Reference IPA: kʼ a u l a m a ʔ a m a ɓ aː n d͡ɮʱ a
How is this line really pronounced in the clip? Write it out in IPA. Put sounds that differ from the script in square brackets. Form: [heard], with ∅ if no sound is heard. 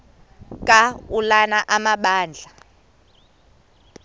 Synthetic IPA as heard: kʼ a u l a [n] a ʔ a m a ɓ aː n d͡ɮʱ a